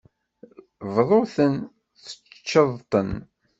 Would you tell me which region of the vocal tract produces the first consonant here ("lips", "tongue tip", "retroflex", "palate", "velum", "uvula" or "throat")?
lips